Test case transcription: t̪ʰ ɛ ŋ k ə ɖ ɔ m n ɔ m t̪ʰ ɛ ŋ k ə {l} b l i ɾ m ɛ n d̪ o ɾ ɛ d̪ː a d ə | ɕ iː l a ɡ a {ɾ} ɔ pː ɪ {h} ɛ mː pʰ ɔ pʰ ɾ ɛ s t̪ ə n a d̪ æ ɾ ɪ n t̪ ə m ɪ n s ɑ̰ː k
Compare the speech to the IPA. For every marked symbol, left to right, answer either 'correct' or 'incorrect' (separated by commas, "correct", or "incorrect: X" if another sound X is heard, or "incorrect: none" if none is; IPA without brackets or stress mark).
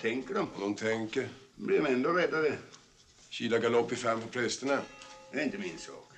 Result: incorrect: ɾ, incorrect: l, incorrect: f